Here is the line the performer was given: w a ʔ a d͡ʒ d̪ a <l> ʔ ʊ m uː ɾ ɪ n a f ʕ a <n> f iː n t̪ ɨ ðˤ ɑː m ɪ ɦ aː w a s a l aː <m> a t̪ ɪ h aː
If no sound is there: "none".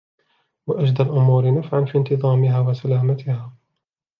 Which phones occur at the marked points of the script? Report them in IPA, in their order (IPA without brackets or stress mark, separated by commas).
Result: l, n, m